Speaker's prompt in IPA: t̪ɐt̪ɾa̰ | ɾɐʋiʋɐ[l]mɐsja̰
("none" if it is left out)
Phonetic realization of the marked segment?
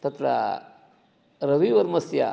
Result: ɾ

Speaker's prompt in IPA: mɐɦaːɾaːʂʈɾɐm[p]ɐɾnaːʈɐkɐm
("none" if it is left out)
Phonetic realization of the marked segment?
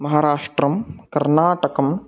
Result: k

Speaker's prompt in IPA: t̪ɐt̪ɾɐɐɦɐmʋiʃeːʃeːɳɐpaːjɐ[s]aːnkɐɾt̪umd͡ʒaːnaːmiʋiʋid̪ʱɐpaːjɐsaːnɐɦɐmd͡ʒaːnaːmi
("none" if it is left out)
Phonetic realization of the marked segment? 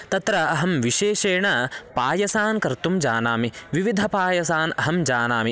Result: s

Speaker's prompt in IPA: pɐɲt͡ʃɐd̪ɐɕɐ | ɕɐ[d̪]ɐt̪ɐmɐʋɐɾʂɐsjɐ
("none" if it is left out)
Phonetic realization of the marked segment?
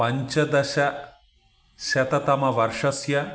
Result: t̪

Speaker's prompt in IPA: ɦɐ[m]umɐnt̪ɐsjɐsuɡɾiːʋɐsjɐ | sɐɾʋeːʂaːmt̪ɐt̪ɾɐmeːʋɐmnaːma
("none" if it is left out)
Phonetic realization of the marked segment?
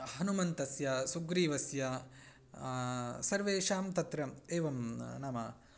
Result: n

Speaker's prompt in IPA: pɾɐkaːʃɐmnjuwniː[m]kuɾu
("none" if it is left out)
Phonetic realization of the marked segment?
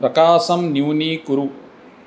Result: none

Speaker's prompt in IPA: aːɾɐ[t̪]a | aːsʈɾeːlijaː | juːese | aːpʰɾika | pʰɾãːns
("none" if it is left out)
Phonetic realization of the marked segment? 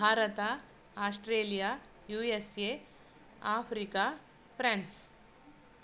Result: t̪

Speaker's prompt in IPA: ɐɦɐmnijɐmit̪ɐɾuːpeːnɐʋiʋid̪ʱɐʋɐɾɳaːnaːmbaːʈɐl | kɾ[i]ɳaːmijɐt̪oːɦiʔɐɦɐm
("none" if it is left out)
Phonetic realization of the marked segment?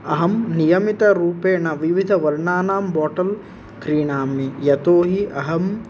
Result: iː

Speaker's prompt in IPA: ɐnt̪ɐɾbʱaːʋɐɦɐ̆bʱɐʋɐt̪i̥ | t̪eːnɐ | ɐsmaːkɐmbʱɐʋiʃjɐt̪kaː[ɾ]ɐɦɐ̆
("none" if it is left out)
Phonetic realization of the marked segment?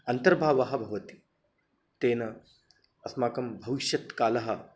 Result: l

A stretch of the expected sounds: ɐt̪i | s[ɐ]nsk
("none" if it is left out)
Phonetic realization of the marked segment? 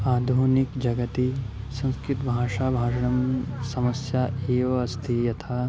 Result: ɐ̃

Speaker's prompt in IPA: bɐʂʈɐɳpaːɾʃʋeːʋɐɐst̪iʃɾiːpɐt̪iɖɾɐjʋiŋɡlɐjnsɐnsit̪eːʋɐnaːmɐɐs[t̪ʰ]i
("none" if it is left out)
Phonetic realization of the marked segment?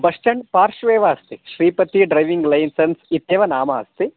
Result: t̪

